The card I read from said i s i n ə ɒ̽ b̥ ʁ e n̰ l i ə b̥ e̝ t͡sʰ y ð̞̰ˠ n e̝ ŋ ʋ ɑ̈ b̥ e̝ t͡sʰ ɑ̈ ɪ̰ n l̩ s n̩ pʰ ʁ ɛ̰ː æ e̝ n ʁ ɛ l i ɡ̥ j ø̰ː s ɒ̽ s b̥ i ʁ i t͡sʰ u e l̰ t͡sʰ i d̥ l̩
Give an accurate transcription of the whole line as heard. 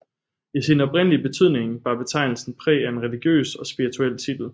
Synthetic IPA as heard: i s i n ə ɒ̽ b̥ ʁ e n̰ l i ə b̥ e̝ t͡sʰ y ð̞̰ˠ n e̝ ŋ ʋ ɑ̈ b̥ e̝ t͡sʰ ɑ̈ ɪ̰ n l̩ s n̩ pʰ ʁ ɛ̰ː æ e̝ n ʁ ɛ l i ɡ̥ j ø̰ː s ɒ̽ s b̥ i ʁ i t͡sʰ u e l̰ t͡sʰ i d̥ l̩

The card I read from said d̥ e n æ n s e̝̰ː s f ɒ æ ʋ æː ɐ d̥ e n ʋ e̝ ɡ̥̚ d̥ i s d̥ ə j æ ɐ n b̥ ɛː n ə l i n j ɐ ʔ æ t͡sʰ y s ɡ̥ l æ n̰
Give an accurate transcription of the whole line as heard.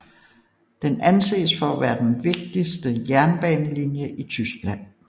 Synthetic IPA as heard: d̥ e n æ n s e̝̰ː s f ɒ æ ʋ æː ɐ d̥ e n ʋ e̝ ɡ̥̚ d̥ i s d̥ ə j æ ɐ n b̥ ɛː n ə l i n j ə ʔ i t͡sʰ y s ɡ̥ l æ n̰

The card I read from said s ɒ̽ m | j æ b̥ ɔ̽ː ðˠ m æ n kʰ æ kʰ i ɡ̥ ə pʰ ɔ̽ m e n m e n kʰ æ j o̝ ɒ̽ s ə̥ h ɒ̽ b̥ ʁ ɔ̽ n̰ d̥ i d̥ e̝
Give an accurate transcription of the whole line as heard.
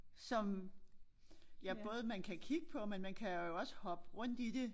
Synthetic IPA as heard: s ɒ̽ m | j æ b̥ ɔ̽ː ðˠ m æ n kʰ æ kʰ i ɡ̥ ə pʰ ɒ̽ m e n m æ n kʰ æ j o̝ ɒ̽ s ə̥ h ɒ̽ b̥ ʁ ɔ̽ n̰ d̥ i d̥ e̝

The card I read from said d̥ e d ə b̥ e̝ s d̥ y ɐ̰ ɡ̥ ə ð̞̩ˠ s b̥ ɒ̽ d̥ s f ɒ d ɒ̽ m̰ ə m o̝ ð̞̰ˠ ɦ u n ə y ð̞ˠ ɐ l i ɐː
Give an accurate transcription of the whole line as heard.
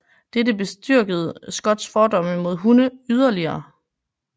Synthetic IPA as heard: d̥ e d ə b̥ e̝ s d̥ y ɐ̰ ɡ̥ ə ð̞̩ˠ s ɡ̥ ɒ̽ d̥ s f ɒː d ɒ̽ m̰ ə m o̝ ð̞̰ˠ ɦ u n ə y ð̞ˠ ɐ l i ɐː

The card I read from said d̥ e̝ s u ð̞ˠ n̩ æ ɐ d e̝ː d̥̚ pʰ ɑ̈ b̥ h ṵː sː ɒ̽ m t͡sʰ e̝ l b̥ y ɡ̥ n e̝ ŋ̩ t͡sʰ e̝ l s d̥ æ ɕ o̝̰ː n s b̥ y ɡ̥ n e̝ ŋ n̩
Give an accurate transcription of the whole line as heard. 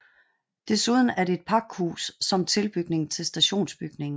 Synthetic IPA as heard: d̥ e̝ s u ð̞ˠ n̩ æ ɐ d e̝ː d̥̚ pʰ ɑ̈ ɡ̥ h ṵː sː ɒ̽ m t͡sʰ e̝ l b̥ y ɡ̥ n e̝ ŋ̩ t͡sʰ e̝ l s d̥ æ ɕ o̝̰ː n s b̥ y ɡ̥ n e̝ ŋ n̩

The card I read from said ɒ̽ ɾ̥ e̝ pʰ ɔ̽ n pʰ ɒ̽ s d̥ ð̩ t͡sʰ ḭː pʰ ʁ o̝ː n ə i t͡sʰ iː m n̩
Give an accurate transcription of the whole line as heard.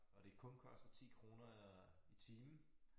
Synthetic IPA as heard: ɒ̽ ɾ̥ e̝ kʰ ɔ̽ n kʰ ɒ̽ s d̥ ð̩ t͡sʰ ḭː kʰ ʁ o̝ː n ɐ i t͡sʰ iː m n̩

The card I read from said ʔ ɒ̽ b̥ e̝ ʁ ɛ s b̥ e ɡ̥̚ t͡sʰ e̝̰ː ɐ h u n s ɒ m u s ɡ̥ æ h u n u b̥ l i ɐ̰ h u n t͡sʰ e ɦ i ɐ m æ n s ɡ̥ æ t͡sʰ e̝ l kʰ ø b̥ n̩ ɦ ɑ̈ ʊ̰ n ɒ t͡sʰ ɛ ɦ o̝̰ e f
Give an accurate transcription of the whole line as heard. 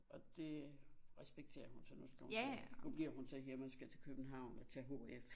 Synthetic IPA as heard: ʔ ɒ̽ d̥ e̝ ʁ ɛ s b̥ e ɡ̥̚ t͡sʰ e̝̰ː ɐ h u n s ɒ n u s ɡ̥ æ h u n u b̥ l i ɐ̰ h u n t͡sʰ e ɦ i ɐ m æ n s ɡ̥ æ t͡sʰ e̝ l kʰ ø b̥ n̩ ɦ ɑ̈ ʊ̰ n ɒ t͡sʰ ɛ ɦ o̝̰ e f

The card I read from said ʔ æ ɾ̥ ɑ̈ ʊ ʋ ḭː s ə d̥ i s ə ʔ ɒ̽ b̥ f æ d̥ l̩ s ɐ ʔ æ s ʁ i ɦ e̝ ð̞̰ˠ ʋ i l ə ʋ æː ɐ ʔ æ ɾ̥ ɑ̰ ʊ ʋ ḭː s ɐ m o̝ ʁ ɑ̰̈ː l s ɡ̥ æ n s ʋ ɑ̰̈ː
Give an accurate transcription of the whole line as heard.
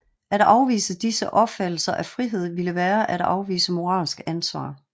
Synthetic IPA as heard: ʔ æ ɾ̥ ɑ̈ ʊ ʋ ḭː s ə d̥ i s ə ʔ ɒ̽ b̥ f æ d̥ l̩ s ɐ ʔ æ f ʁ i ɦ e̝ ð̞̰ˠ ʋ i l ə ʋ æː ɐ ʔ æ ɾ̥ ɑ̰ ʊ ʋ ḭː s ə m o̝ ʁ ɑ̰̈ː l s ɡ̥ æ n s ʋ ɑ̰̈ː

